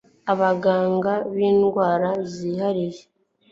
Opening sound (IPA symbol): a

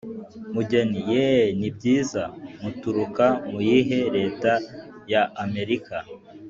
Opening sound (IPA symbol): m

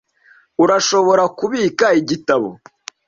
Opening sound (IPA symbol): u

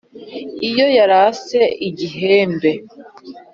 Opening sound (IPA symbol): i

